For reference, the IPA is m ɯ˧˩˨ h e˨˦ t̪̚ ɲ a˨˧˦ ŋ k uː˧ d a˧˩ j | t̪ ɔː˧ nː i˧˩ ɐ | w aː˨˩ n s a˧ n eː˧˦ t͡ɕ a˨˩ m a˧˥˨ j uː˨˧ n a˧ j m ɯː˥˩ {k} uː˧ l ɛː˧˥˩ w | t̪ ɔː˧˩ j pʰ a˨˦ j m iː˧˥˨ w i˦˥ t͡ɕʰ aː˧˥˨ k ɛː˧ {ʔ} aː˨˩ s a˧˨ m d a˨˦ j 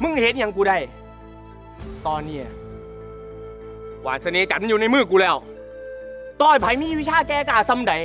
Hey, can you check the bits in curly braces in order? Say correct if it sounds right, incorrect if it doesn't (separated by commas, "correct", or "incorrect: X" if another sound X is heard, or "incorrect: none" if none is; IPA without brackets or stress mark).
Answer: correct, incorrect: k